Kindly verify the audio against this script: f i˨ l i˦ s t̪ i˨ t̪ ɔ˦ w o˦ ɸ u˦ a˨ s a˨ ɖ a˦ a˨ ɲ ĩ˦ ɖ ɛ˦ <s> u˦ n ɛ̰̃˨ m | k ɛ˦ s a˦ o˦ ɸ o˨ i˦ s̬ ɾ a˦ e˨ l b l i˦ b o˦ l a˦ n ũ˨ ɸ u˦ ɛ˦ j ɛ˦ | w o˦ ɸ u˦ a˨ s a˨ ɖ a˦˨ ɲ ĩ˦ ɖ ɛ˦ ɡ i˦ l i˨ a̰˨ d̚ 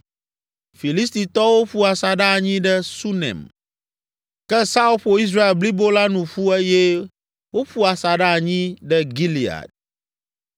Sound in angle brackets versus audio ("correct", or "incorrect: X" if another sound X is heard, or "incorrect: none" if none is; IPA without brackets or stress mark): correct